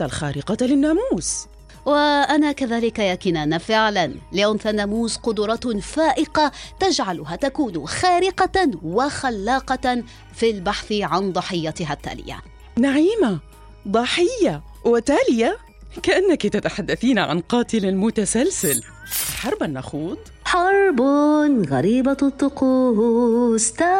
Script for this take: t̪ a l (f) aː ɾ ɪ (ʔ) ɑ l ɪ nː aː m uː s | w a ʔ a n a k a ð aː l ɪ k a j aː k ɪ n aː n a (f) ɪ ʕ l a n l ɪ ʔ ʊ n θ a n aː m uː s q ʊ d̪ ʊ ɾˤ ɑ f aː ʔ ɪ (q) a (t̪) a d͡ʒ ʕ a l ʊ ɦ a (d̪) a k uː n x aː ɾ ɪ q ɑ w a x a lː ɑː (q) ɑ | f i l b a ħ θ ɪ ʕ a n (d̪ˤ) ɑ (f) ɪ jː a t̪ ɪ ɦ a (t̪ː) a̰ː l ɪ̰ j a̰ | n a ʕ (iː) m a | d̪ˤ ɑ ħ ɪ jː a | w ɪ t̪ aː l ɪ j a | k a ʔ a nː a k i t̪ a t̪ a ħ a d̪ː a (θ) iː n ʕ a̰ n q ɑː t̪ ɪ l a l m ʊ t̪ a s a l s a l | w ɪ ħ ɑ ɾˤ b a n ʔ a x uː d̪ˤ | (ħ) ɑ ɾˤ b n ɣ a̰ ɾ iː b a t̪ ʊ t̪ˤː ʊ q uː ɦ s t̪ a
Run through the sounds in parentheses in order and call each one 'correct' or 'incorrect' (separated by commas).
incorrect, incorrect, correct, correct, correct, incorrect, correct, correct, incorrect, correct, correct, correct, correct